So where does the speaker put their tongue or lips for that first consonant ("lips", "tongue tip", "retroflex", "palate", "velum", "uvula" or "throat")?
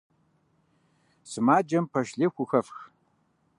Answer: tongue tip